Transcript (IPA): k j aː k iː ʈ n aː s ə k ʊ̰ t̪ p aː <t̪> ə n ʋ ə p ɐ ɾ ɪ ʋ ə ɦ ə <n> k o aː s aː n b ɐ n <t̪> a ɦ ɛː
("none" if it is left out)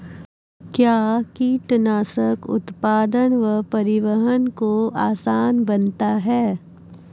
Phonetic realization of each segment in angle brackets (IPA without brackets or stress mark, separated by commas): d̪, n, t̪